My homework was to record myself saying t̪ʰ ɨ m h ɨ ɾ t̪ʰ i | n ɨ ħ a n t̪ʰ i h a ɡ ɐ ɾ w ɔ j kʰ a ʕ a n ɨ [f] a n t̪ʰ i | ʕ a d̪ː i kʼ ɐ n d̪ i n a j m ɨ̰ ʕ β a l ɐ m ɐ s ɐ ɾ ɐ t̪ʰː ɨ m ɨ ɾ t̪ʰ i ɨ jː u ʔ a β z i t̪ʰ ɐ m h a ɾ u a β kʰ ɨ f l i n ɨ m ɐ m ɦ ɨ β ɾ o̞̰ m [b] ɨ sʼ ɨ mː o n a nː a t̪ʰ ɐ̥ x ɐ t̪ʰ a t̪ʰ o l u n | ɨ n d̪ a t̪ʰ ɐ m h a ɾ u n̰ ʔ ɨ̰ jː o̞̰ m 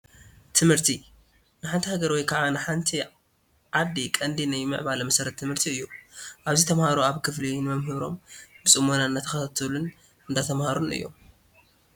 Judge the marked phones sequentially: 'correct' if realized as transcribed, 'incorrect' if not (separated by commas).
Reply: incorrect, correct